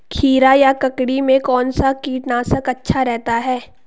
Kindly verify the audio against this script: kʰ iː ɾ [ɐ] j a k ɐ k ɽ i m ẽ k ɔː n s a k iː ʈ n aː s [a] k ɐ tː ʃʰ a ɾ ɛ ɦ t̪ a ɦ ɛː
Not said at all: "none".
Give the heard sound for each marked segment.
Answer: a, ə

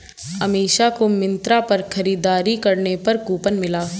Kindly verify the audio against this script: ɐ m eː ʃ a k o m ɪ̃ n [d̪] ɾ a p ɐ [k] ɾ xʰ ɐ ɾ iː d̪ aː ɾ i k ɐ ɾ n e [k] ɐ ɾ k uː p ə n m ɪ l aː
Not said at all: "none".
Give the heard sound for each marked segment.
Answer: t̪, none, p

